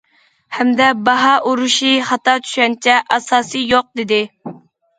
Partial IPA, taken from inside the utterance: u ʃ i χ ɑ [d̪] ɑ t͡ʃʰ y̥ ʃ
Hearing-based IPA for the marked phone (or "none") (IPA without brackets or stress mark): t̪